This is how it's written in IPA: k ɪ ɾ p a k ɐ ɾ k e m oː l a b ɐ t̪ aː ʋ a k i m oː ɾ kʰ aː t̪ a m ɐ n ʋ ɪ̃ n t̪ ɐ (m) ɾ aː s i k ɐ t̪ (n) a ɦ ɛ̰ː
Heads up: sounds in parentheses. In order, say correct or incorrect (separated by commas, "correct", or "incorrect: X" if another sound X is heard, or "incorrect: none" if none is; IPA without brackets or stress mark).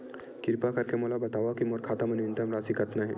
correct, correct